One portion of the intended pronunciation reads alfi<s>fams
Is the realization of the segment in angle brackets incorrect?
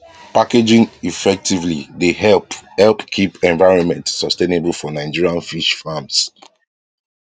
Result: yes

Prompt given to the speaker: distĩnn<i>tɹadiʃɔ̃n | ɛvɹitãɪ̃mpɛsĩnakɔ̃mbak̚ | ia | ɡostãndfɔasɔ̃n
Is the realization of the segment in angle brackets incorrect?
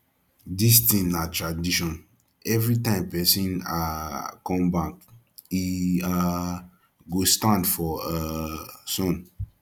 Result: yes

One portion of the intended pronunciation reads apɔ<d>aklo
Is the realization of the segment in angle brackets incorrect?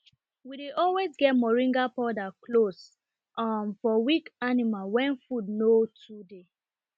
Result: no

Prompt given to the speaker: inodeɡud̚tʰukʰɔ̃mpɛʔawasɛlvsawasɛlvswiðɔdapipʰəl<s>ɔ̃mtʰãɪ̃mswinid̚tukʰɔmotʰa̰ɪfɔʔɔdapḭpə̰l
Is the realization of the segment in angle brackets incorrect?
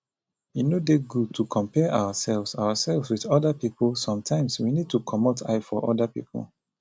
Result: no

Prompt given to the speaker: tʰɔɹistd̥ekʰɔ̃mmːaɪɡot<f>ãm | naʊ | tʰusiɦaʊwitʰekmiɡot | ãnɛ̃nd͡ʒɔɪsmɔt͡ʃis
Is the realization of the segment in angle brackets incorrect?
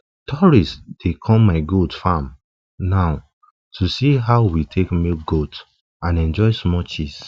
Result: no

